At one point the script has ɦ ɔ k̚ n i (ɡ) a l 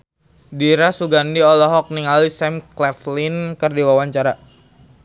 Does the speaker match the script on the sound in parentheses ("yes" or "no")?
no